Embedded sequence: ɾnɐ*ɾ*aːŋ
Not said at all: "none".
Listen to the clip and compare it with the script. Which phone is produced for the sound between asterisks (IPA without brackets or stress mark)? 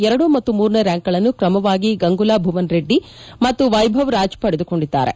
ɾ